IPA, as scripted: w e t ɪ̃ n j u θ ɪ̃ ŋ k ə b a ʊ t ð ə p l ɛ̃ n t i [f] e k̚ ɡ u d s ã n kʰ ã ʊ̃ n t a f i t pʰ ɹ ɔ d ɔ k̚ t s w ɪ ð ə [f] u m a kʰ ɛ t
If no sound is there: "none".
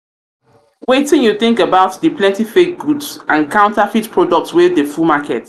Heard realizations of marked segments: f, f

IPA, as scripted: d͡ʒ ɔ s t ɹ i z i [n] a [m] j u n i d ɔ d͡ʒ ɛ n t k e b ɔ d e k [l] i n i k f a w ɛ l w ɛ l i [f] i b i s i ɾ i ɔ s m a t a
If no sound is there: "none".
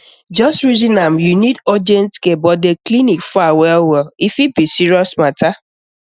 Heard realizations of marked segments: n, m, l, f

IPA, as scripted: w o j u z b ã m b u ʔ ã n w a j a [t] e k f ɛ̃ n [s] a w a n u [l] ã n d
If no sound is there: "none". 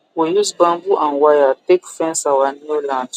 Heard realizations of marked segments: t, s, l

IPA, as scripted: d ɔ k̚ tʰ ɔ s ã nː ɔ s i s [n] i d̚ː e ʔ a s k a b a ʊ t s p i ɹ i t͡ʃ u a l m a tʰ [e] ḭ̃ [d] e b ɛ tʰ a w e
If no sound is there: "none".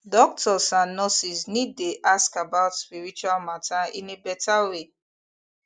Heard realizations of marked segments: n, a, n

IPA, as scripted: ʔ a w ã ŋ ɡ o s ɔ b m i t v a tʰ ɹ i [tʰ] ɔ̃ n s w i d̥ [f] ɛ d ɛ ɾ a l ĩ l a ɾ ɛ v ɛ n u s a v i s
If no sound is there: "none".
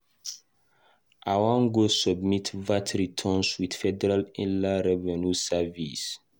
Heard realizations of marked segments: tʰ, f

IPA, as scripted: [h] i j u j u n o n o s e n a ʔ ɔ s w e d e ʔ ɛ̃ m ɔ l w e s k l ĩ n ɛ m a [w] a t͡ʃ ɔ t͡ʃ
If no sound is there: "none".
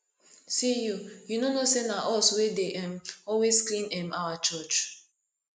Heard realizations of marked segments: s, w

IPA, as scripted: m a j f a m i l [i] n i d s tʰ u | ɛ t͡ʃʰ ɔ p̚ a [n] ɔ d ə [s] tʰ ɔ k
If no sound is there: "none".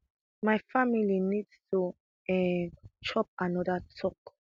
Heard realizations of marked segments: i, n, none

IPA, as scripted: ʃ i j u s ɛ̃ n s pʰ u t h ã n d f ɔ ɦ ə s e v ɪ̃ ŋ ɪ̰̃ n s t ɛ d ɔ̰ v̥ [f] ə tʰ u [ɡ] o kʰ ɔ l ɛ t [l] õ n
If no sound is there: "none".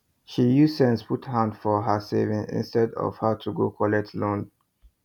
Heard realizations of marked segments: h, ɡ, l

